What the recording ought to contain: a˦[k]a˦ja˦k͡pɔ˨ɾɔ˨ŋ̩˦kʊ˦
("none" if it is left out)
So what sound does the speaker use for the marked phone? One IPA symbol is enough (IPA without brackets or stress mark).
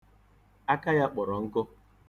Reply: k